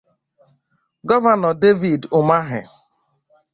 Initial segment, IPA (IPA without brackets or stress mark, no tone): ɡ